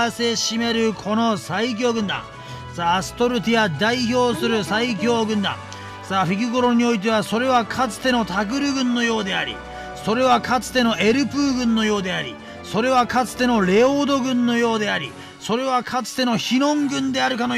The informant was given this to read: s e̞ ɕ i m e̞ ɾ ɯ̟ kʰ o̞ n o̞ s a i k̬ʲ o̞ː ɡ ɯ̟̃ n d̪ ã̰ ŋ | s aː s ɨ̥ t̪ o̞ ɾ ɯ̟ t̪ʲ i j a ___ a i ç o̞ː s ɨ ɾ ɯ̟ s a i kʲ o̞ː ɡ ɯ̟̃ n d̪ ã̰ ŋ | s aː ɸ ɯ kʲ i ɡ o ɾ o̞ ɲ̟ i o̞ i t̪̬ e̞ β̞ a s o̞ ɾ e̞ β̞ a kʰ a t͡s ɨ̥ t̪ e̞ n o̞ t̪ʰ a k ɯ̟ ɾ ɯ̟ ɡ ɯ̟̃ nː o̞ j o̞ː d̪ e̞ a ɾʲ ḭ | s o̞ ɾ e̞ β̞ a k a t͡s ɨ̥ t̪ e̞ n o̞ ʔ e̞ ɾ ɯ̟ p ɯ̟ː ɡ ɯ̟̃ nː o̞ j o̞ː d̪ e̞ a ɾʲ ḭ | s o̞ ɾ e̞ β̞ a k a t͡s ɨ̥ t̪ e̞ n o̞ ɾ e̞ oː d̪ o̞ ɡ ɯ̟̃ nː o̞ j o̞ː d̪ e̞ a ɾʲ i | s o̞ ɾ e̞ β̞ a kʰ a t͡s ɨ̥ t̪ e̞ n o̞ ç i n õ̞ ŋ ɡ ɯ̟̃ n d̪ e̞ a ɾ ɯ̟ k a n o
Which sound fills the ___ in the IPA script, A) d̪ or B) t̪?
A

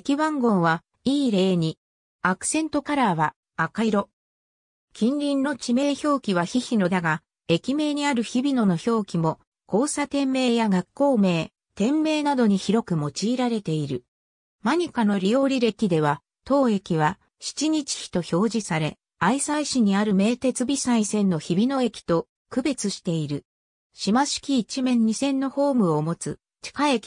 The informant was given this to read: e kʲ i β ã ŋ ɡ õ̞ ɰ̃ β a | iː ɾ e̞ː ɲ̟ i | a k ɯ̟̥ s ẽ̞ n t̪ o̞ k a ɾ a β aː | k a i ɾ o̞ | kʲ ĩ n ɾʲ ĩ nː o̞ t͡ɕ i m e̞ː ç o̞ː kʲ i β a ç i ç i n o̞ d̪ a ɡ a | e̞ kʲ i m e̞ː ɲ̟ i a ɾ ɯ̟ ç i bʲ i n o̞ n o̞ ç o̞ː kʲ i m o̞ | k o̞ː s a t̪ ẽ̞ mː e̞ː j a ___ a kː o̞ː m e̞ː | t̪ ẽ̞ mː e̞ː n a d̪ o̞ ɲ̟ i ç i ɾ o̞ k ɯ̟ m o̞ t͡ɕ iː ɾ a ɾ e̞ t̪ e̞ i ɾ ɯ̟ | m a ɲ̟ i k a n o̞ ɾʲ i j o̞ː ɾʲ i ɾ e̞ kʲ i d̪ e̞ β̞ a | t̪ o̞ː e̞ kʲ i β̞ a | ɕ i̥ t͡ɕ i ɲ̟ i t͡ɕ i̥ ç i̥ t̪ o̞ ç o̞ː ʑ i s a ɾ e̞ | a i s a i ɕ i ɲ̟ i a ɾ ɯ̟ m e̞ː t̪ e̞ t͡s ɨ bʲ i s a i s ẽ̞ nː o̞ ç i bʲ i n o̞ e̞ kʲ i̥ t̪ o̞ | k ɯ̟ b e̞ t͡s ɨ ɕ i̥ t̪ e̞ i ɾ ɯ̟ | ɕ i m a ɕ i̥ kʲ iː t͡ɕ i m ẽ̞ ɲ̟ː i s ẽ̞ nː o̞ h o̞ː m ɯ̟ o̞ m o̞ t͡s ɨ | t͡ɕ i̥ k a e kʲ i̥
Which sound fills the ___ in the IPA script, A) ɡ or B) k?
A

